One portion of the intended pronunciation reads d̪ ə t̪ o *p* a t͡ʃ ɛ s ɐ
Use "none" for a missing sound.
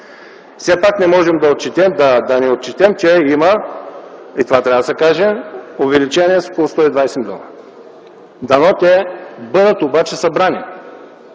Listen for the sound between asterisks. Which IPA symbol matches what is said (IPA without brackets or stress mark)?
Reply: b